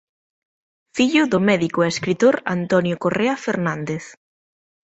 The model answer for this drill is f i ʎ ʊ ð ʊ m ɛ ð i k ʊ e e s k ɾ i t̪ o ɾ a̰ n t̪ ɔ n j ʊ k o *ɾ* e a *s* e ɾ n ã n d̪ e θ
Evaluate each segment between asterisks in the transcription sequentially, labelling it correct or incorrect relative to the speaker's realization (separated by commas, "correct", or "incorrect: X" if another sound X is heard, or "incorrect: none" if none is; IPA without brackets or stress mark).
incorrect: r, incorrect: f